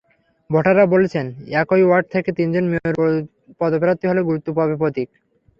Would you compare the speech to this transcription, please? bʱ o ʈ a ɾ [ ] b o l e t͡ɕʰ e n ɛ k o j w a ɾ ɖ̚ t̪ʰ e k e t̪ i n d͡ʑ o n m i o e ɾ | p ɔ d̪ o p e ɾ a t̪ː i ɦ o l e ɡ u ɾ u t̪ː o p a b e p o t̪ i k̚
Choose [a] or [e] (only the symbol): a